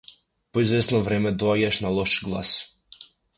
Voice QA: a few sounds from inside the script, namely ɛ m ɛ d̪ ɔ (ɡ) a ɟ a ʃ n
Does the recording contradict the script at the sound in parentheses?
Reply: yes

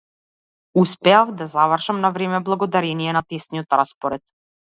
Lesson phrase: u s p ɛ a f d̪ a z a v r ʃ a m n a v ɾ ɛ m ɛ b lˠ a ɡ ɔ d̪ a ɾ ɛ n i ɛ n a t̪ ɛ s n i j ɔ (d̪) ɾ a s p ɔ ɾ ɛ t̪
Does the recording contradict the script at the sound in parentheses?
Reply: yes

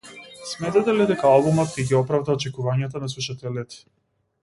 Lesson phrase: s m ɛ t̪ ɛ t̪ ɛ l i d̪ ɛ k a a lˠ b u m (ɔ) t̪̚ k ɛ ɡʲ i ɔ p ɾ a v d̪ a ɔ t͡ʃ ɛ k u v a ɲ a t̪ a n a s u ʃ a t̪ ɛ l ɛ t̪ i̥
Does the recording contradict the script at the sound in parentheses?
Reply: no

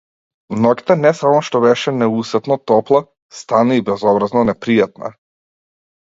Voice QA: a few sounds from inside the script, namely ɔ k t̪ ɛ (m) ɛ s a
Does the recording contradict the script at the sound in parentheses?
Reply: yes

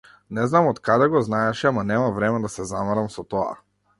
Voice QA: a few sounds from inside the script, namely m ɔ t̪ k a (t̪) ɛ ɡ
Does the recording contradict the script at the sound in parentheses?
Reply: yes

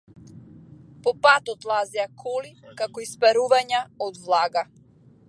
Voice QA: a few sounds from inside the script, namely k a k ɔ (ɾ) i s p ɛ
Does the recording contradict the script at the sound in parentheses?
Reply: yes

